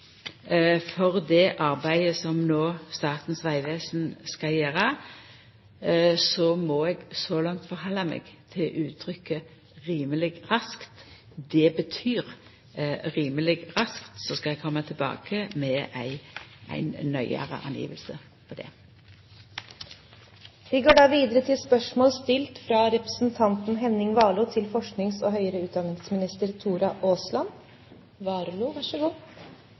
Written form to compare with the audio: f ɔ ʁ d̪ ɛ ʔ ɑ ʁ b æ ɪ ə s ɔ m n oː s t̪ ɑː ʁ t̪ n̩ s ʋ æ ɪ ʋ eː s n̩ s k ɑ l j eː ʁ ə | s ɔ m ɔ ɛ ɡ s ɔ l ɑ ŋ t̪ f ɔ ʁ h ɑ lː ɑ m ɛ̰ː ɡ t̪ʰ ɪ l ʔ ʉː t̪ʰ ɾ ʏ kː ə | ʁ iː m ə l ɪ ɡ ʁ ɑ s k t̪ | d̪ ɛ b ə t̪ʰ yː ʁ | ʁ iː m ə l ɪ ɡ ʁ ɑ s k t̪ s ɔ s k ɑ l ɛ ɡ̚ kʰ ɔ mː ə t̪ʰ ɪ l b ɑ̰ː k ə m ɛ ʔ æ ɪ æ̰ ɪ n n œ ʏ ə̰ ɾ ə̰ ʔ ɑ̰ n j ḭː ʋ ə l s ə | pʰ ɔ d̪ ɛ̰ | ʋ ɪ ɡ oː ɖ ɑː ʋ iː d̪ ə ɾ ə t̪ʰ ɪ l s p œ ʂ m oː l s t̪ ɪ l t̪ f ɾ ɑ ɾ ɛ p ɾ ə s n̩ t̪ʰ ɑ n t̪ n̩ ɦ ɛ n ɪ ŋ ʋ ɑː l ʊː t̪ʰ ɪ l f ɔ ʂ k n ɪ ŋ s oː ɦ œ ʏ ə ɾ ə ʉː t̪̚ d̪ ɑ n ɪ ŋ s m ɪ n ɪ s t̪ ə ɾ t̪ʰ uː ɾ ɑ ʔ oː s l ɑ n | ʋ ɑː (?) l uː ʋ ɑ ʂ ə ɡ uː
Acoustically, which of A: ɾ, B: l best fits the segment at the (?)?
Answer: A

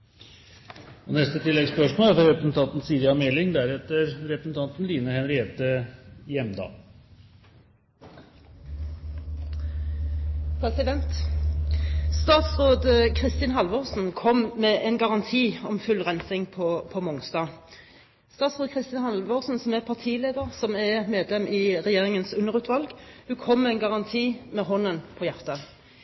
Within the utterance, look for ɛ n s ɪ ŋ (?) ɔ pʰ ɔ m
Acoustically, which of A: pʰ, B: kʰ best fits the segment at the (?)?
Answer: A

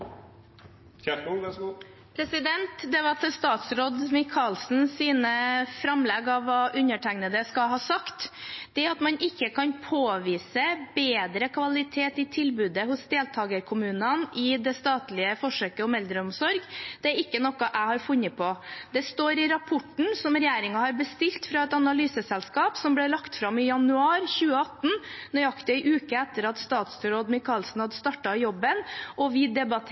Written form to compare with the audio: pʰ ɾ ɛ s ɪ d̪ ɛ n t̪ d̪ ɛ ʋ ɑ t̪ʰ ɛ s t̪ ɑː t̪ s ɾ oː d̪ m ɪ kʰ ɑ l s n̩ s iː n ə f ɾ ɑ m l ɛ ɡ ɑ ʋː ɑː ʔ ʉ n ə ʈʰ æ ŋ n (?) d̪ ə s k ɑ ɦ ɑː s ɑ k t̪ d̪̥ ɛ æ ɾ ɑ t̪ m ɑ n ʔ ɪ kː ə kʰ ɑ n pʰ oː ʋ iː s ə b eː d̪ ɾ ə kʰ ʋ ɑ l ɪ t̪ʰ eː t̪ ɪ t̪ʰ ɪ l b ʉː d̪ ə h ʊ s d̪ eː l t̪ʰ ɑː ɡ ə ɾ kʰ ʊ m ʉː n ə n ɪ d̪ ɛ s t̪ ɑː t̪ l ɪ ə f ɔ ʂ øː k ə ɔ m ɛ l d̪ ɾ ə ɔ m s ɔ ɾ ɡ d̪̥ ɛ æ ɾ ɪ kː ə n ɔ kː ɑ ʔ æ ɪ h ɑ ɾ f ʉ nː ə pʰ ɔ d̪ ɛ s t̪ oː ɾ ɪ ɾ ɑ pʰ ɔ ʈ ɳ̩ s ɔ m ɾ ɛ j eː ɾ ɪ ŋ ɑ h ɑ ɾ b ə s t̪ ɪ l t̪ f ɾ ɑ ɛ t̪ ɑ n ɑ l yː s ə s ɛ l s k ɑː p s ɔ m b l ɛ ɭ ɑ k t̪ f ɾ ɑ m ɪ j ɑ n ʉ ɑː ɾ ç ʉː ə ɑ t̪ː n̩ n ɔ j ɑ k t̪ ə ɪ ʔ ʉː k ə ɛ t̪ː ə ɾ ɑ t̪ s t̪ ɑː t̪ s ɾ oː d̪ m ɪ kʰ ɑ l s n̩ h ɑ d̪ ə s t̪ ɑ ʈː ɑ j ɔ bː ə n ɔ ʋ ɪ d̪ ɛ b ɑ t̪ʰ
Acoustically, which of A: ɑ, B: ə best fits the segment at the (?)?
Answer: B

